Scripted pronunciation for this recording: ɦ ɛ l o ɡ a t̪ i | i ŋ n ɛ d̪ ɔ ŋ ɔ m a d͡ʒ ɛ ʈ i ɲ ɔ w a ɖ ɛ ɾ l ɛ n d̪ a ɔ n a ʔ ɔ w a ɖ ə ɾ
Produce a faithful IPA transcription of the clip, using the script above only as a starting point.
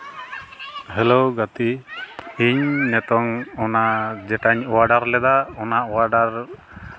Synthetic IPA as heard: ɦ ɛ l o ɡ a t̪ i | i ɲ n ɛ t̪ ɔ ŋ ɔ n a d͡ʒ ɛ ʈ a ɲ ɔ w a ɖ a ɾ l ɛ d̪ a ɔ n a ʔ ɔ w a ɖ a ɾ